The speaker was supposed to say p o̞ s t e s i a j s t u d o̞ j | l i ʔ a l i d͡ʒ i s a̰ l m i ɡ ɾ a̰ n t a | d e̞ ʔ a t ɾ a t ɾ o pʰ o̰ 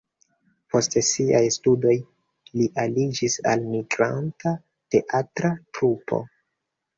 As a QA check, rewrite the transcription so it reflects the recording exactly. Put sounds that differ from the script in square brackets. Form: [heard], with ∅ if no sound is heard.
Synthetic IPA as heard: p o̞ s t e s i a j s t u d o̞ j | l i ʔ a l i d͡ʒ i s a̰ l m i ɡ ɾ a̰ n t a | [t] e̞ ʔ a t ɾ a t ɾ [u] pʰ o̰